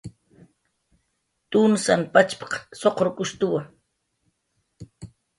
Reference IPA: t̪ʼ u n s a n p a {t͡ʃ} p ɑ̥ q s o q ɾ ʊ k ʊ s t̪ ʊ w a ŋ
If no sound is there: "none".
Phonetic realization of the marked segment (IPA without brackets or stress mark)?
t͡ʃ